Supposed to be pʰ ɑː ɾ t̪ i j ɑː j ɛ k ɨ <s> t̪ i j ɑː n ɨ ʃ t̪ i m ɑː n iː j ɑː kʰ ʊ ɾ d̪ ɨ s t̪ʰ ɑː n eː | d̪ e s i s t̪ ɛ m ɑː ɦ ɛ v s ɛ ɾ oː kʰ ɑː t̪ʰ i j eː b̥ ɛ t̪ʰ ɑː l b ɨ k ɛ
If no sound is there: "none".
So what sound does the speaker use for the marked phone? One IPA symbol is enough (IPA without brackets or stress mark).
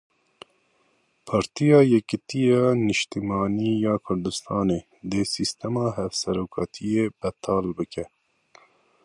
none